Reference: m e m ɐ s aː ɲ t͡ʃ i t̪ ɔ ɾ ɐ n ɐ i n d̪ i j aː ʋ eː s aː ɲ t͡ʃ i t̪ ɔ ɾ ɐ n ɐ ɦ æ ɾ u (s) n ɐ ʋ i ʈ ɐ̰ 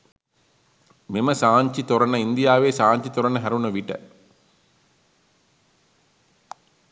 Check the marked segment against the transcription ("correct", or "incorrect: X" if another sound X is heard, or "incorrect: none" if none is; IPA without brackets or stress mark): incorrect: none